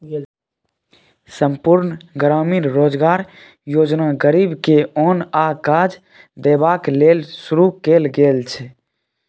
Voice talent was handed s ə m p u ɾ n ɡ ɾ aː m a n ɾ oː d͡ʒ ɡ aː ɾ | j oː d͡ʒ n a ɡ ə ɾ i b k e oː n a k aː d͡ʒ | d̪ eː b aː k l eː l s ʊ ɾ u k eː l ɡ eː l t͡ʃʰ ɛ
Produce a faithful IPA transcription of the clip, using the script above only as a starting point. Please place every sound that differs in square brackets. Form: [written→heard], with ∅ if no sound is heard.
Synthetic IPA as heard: s ə m p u ɾ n ɡ ɾ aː m [a→i] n ɾ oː d͡ʒ ɡ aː ɾ | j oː d͡ʒ n a ɡ ə ɾ i b k e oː n a k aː d͡ʒ | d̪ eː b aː k l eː l s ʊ ɾ u k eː l ɡ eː l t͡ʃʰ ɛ